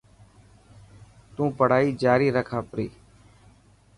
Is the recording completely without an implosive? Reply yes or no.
yes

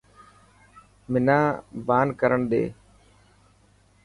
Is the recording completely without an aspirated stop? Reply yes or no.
yes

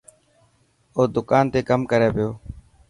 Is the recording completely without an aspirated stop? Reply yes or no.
yes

